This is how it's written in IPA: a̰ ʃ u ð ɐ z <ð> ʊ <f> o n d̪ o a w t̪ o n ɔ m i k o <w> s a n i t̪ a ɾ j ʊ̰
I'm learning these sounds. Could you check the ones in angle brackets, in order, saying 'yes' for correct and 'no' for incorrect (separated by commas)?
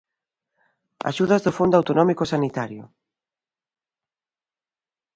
yes, yes, no